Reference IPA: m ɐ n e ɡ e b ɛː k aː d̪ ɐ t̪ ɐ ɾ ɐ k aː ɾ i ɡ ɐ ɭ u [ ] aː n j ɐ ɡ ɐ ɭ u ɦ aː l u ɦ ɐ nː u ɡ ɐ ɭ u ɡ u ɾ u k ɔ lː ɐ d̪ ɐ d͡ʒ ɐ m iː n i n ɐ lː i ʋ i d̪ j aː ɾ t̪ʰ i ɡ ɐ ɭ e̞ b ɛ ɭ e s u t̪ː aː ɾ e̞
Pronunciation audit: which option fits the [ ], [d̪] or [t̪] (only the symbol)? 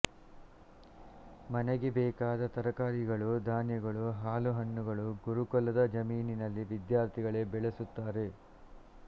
d̪